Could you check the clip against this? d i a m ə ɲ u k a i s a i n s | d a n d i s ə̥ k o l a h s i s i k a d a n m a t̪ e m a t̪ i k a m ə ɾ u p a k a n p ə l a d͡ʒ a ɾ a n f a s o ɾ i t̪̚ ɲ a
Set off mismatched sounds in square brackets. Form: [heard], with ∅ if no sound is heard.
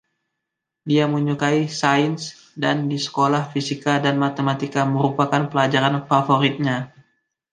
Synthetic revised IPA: d i a m ə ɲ u k a i s a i n s | d a n d i s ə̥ k o l a h [f] i s i k a d a n m a t̪ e m a t̪ i k a m ə ɾ u p a k a n p ə l a d͡ʒ a ɾ a n f a [f] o ɾ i t̪̚ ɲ a